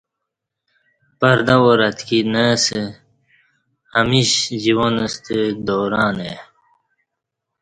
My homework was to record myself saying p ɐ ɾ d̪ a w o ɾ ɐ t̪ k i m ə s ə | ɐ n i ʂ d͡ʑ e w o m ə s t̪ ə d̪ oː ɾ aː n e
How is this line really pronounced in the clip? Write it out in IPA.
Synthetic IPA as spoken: p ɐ ɾ d̪ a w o ɾ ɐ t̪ k i n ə s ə | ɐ m i ɕ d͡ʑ i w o n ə s t̪ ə d̪ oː ɾ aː n e